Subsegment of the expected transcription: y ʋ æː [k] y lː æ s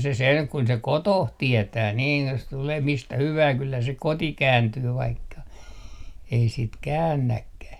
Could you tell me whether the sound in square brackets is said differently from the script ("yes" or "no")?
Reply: no